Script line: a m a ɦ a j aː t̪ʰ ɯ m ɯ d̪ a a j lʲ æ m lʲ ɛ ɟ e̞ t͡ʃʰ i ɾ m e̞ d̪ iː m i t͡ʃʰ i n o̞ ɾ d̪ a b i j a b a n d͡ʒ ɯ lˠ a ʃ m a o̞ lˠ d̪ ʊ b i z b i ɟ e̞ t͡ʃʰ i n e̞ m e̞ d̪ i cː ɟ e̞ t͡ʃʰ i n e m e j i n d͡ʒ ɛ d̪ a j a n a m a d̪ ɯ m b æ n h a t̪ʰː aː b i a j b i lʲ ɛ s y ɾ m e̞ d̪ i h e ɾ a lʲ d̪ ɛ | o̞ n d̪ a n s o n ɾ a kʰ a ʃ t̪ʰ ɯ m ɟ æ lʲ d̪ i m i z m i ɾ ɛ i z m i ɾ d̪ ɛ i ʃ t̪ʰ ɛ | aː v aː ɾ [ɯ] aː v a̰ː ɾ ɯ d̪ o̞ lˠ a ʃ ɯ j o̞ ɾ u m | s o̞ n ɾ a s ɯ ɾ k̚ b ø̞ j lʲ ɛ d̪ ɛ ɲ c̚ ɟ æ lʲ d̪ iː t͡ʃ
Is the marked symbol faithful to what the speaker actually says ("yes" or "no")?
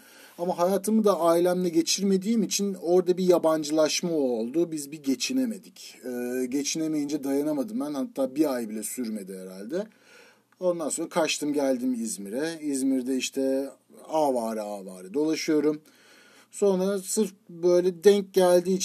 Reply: yes